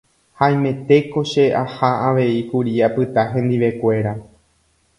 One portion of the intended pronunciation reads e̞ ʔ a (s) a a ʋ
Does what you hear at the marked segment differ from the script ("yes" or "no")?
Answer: yes